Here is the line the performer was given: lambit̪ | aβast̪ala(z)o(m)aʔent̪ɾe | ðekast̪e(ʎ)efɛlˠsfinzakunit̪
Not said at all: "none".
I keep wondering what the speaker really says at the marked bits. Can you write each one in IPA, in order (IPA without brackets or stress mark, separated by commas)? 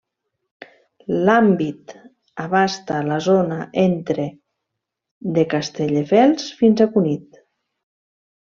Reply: z, n, ʎ